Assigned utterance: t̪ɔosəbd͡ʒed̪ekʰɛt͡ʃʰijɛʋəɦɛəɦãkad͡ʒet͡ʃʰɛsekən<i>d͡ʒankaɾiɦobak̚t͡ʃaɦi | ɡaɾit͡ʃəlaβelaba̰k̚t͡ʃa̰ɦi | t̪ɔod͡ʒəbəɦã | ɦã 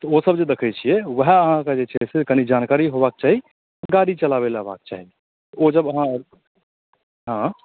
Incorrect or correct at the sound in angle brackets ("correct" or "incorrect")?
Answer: correct